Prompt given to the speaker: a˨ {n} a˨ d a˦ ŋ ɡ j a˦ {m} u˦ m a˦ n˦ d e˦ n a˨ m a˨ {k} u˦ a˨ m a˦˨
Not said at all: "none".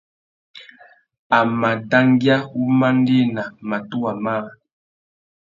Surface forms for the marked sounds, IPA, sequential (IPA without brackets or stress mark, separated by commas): m, none, t